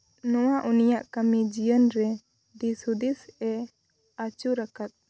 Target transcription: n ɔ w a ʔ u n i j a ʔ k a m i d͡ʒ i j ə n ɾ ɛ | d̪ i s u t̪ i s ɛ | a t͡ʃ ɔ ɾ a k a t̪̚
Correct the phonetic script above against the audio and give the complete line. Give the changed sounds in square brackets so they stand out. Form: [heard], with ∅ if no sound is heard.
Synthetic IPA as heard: n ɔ w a ʔ u n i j a ʔ k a m i d͡ʒ i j ə n ɾ ɛ | d̪ i s u [d̪] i s ɛ | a t͡ʃ [u] ɾ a k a t̪̚